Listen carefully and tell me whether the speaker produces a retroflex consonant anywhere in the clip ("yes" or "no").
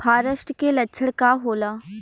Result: yes